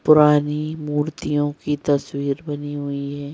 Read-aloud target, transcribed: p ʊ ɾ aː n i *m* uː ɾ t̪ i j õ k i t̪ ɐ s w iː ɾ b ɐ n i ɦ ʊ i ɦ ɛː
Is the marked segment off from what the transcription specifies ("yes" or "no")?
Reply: no